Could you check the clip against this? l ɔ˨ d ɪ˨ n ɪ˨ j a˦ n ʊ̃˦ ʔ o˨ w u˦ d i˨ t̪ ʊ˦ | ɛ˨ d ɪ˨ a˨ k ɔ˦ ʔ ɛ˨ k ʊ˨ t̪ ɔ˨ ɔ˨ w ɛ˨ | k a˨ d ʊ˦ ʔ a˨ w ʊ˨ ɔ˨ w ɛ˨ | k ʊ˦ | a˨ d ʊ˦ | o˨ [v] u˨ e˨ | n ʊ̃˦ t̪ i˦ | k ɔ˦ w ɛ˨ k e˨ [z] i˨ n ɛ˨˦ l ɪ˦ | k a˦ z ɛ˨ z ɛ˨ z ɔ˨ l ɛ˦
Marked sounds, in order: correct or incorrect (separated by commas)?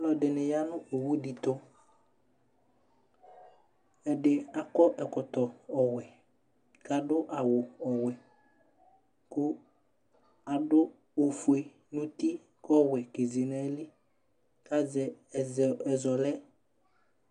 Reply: incorrect, correct